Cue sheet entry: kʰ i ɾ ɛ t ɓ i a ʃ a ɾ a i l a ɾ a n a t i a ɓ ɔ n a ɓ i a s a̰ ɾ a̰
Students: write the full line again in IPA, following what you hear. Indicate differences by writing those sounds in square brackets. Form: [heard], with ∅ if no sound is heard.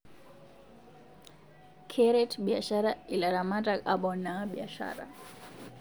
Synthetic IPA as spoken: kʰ [ɛ] ɾ ɛ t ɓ i a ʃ a ɾ a i l a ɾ a [m] a t [a] a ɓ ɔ n a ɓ i a [ʃ] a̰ ɾ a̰